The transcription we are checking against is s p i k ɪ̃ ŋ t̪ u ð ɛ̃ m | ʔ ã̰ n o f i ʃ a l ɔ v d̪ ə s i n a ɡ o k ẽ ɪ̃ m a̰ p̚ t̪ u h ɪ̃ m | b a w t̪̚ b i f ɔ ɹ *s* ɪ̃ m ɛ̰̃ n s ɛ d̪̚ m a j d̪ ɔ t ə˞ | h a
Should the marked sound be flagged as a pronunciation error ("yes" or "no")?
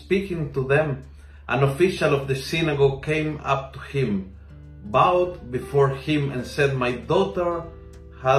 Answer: yes